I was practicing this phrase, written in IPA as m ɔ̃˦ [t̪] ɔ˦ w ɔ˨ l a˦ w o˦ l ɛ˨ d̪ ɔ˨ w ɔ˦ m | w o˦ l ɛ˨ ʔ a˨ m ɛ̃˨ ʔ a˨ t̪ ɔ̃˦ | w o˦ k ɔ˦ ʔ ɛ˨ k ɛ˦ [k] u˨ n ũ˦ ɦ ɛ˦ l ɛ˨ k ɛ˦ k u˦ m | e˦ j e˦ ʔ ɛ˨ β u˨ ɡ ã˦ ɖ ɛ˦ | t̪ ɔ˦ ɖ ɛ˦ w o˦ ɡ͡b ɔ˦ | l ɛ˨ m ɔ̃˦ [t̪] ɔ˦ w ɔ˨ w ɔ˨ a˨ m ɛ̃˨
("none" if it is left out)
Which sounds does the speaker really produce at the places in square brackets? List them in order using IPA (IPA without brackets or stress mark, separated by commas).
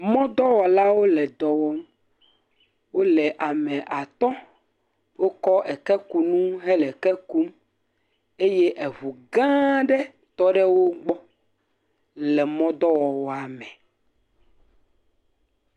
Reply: d̪, k, d̪